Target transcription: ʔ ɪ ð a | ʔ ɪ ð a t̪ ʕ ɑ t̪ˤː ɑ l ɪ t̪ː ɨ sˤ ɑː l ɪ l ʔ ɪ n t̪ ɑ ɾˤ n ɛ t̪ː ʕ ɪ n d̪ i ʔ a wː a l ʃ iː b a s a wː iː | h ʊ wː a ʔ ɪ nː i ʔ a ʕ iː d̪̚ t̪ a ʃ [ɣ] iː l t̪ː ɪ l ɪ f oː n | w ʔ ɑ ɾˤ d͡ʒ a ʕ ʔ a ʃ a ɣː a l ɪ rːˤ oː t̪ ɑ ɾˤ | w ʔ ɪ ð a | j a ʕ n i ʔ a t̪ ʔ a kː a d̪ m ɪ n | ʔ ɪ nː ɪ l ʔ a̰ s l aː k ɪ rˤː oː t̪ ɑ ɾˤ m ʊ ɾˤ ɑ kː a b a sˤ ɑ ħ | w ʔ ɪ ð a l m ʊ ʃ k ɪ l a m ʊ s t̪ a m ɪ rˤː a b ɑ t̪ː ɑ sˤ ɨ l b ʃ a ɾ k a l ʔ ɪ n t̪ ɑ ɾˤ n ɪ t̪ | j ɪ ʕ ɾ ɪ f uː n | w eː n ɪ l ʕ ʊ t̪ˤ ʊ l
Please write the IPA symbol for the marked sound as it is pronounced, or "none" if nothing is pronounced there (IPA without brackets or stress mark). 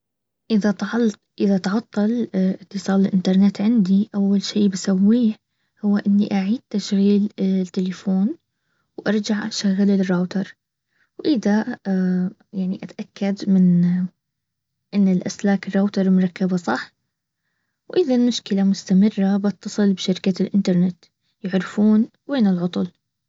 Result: ɣ